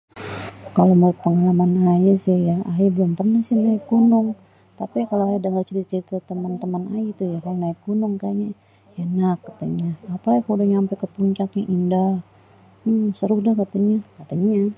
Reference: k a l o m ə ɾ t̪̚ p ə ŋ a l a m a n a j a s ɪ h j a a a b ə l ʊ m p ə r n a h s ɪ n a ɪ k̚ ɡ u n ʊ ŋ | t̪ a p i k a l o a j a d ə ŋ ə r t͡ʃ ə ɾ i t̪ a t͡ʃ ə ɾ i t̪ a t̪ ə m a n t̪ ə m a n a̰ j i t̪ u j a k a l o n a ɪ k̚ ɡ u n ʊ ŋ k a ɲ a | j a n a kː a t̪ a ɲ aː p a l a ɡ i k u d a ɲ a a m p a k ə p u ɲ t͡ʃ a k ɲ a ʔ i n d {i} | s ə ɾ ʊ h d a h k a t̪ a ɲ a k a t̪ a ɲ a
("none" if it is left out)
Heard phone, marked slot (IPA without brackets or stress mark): a